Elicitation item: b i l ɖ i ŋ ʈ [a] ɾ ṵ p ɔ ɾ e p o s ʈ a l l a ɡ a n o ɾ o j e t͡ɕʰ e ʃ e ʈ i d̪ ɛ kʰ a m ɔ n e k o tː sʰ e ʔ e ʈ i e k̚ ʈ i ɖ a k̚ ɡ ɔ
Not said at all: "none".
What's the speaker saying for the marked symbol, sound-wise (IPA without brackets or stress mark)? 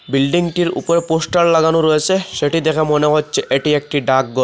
i